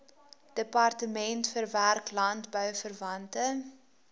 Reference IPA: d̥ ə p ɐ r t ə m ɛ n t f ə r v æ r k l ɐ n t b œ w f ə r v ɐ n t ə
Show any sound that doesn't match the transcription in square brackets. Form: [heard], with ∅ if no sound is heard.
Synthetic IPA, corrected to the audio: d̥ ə p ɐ r t ə m ɛ n t f ə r v æ r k l ɐ n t b œ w f ə r v ɐ n t ə